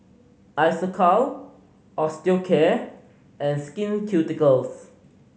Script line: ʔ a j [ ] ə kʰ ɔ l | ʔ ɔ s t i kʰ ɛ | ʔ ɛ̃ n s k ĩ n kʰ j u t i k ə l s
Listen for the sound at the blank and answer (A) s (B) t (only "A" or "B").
A